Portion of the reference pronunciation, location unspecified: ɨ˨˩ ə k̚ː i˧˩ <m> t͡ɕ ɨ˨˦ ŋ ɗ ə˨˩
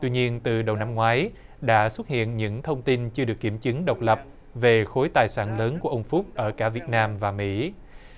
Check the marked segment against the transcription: correct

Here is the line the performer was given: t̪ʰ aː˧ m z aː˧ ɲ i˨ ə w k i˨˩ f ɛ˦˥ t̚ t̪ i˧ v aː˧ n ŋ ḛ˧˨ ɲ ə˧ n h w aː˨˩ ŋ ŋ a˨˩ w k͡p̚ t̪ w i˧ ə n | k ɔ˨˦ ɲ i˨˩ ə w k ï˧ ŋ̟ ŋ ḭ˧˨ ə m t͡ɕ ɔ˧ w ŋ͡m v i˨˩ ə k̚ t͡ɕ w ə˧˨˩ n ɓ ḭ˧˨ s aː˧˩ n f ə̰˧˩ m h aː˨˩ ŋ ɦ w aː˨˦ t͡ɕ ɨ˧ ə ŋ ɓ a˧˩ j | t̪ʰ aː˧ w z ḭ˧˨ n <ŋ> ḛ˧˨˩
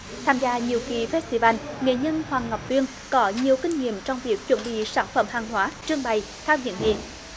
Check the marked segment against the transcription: correct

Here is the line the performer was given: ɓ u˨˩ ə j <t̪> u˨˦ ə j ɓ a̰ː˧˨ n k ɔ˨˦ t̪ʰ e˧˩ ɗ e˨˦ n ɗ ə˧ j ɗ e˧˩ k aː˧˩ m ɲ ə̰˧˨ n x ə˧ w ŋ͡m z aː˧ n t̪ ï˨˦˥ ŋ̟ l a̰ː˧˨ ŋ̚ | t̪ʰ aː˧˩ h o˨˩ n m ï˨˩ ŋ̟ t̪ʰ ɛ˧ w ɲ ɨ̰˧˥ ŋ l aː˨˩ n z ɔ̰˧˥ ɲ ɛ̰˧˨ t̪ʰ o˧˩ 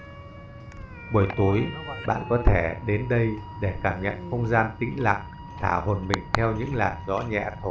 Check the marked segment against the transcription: correct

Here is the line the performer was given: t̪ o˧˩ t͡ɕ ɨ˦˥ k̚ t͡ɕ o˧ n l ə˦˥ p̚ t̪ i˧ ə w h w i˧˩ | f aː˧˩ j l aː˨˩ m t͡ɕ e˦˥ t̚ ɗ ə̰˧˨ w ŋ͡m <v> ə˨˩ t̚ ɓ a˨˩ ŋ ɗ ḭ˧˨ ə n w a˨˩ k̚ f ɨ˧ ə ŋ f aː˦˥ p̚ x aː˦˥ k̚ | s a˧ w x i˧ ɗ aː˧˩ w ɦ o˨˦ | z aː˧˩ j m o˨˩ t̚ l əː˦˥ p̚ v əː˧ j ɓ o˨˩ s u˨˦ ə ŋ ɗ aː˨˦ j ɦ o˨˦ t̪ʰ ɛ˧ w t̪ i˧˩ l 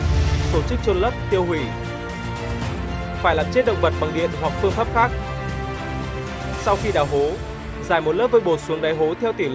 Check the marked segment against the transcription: correct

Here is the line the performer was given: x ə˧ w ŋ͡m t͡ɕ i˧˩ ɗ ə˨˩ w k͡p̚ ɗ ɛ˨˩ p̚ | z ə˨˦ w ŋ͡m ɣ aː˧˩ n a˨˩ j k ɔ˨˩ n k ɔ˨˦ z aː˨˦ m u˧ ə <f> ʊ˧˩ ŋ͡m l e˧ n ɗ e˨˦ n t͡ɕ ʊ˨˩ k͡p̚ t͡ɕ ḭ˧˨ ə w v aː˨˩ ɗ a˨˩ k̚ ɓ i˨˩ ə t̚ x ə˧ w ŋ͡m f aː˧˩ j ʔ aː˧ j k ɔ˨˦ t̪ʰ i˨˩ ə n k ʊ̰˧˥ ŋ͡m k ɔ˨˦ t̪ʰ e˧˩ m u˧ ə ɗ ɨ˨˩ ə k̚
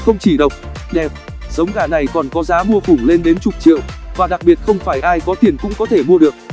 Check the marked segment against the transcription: correct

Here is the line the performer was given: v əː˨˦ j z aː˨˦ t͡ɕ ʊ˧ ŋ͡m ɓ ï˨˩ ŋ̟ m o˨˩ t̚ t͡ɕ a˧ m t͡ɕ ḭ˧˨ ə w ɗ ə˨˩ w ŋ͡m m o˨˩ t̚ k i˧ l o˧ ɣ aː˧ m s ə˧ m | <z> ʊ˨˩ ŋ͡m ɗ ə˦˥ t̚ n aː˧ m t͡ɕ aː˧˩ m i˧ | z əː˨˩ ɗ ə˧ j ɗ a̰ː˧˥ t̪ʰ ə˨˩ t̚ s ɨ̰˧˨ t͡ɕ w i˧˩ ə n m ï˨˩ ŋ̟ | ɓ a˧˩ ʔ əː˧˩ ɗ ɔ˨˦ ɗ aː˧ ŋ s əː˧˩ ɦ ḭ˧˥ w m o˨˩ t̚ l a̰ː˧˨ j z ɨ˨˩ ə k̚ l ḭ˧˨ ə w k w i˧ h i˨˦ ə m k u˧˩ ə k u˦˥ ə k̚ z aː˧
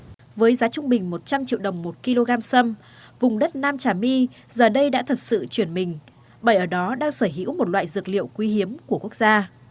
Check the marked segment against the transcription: incorrect: v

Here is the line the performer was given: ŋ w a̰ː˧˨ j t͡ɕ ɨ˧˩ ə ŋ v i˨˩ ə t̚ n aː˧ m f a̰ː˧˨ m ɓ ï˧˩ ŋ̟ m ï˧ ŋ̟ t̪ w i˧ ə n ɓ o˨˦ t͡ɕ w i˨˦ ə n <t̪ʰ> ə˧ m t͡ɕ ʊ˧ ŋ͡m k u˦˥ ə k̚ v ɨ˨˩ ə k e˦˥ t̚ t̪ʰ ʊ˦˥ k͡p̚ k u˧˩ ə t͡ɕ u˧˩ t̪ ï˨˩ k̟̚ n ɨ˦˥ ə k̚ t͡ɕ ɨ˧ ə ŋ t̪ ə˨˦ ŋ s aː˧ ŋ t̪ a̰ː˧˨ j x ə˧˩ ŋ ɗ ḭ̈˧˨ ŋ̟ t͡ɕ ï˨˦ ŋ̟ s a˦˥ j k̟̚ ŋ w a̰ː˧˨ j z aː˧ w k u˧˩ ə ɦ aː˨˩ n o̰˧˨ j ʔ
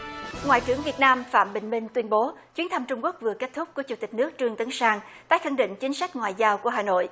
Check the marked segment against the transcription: correct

